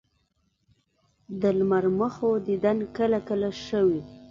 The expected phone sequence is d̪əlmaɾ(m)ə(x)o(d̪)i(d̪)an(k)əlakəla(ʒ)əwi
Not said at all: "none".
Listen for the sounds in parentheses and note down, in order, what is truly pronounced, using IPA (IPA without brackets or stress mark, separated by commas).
m, x, d̪, d̪, k, ʃ